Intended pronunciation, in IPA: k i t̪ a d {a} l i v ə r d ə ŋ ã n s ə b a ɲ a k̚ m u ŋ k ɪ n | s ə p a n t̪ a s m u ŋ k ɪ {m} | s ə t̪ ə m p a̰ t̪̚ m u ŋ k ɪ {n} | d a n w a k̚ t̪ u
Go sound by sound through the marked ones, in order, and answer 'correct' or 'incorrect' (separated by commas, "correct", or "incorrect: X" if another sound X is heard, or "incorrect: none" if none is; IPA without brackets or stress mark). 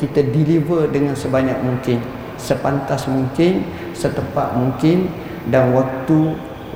incorrect: i, incorrect: n, correct